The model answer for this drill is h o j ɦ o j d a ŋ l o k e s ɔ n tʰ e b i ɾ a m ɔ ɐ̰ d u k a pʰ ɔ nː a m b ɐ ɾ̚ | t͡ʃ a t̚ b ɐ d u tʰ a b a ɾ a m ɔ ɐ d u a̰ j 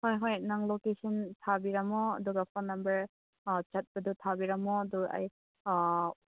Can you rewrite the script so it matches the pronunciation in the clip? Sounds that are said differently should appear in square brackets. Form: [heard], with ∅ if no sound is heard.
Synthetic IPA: h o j ɦ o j [n] a ŋ l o k e s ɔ n tʰ [a] b i ɾ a m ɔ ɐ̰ d u [ɡ] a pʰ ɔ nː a m b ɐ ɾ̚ | t͡ʃ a t̚ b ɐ d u tʰ a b [i] ɾ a m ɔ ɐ d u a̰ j